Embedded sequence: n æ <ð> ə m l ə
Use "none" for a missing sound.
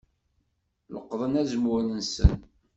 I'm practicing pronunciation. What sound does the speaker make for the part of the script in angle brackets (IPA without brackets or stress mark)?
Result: z